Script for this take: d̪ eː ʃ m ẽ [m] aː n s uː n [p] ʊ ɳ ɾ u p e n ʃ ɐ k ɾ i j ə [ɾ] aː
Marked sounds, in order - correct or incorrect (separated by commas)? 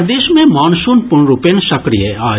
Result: correct, correct, incorrect